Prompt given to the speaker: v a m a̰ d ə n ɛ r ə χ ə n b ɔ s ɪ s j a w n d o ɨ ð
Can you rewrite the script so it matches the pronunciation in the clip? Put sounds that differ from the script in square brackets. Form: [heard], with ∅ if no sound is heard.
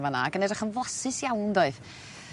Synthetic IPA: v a [n] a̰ [ɡ] ə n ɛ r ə χ ə n [v] ɔ s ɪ s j a w n d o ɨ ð